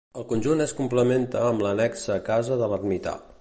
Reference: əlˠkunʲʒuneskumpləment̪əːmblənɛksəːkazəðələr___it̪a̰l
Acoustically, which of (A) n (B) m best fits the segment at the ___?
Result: B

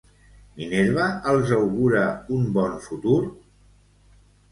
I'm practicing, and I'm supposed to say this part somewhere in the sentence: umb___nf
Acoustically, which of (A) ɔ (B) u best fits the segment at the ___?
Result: A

